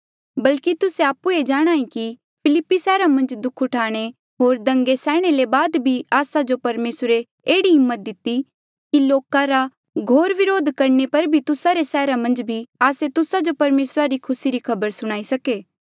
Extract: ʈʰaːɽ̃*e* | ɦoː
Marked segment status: correct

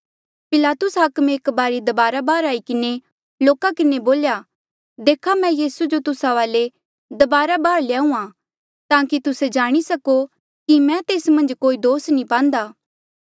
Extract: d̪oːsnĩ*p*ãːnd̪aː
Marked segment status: correct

